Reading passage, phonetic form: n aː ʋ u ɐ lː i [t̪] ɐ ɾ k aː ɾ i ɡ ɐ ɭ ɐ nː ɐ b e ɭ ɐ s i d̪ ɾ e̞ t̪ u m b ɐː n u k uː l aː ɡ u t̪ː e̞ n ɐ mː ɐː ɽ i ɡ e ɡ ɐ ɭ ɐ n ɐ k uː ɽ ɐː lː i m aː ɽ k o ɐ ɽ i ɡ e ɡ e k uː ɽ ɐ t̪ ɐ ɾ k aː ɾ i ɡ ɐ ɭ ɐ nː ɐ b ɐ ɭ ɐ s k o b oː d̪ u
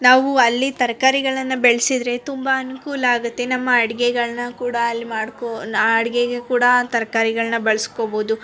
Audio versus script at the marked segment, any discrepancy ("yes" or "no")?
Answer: no